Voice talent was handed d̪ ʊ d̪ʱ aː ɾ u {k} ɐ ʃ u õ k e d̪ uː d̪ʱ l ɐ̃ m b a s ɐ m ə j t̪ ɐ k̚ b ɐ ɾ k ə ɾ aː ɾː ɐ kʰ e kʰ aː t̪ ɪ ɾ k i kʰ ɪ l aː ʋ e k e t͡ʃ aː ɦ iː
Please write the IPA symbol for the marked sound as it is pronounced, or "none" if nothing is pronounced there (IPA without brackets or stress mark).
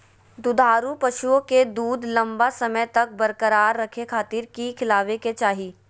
p